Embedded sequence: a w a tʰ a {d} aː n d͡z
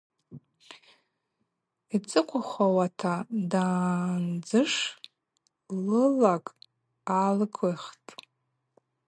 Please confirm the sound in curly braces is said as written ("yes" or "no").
yes